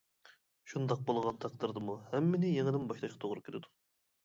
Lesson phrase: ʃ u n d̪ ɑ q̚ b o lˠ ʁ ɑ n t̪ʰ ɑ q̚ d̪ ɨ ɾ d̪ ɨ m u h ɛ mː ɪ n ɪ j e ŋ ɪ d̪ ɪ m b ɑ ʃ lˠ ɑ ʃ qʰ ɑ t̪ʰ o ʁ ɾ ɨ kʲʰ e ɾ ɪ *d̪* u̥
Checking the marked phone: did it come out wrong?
no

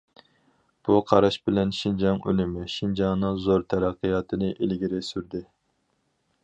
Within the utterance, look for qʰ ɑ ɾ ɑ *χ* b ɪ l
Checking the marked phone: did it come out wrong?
yes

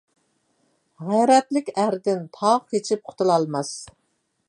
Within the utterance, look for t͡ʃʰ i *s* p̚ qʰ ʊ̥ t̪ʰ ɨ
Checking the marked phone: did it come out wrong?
yes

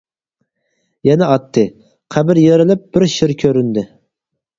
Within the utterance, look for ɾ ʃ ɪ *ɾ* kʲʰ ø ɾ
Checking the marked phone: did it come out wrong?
no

